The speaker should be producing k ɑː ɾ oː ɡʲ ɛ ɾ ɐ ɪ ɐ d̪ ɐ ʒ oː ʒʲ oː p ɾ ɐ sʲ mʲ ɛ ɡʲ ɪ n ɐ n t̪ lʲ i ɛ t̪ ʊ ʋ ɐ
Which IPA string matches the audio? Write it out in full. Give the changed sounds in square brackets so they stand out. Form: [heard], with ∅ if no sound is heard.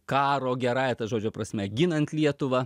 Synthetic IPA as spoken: k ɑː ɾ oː ɡʲ ɛ ɾ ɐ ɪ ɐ [t̪] ɐ ʒ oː [d͡ʒʲ] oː p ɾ ɐ sʲ mʲ ɛ ɡʲ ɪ n ɐ n t̪ lʲ i ɛ t̪ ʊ ʋ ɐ